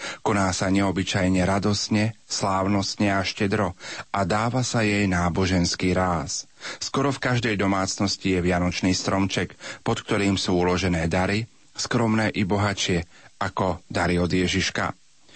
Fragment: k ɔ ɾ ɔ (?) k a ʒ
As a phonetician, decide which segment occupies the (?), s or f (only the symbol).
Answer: f